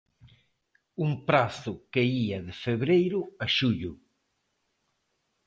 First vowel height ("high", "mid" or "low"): high